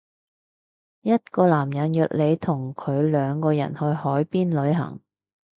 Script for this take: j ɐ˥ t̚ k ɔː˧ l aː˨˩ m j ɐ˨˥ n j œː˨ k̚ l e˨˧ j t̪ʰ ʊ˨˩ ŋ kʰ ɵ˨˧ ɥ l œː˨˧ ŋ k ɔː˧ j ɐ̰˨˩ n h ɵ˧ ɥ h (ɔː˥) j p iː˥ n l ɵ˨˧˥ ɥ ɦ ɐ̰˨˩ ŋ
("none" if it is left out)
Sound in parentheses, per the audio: ɔː˨˥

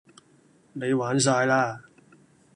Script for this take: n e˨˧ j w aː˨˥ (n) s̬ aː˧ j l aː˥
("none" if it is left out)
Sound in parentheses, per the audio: n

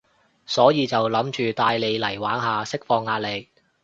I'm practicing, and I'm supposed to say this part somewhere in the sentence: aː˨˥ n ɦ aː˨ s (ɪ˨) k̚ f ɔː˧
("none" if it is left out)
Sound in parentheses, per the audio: ɪ˥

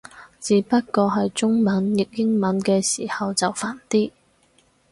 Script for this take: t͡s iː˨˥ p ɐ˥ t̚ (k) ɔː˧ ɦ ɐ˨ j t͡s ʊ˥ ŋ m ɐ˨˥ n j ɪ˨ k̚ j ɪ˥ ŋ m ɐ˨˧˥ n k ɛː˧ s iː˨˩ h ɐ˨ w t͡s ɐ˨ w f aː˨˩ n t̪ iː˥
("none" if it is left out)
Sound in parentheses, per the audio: k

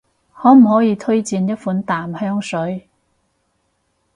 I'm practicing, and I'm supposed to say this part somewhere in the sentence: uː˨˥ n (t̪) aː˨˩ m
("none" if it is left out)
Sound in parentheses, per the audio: t̪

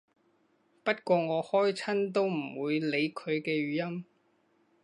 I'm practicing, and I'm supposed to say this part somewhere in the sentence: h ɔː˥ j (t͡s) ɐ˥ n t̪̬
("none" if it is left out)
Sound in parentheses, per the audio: t͡sʰ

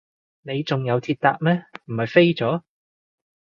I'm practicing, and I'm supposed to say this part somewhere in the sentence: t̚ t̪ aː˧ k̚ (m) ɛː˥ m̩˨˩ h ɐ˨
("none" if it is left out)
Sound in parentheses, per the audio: m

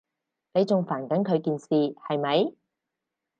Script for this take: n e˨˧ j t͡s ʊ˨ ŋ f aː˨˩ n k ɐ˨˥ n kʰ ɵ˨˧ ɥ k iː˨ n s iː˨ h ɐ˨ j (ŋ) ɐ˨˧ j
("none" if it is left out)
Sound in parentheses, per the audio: m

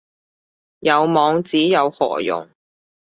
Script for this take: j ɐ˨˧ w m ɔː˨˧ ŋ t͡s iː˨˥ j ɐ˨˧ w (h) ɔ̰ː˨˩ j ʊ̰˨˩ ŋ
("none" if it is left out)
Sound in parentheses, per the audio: h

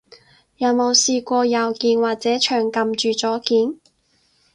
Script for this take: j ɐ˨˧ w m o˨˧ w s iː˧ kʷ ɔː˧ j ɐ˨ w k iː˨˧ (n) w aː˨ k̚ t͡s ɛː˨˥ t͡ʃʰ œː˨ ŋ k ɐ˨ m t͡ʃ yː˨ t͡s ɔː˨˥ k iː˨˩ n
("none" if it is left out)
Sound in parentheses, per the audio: n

